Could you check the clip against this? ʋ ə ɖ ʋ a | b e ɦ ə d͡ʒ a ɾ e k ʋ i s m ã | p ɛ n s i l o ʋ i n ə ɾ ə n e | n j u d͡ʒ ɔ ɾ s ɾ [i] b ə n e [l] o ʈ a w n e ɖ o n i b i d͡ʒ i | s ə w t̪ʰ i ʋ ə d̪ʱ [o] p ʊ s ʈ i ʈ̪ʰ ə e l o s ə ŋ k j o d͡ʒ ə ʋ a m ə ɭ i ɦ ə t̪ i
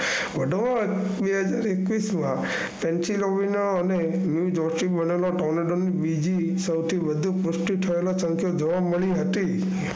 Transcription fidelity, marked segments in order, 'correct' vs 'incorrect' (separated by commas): correct, correct, incorrect